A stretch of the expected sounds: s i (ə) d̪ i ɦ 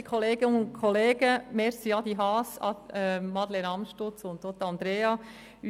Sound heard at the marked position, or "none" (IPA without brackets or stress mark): ɑ